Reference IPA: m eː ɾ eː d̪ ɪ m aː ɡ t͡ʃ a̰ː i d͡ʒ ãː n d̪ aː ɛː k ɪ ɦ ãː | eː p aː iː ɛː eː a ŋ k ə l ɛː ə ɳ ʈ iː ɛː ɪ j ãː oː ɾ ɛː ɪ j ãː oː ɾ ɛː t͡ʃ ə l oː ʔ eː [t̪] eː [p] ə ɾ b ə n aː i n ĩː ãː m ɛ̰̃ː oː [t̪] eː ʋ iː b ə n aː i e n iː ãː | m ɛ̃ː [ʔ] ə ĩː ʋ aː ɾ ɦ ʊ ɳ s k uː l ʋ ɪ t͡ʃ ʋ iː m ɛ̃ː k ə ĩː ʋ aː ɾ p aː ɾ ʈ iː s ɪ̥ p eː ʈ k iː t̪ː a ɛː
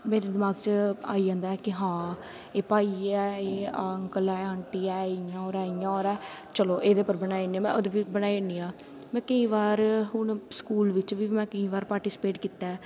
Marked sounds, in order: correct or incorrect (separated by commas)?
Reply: incorrect, correct, incorrect, incorrect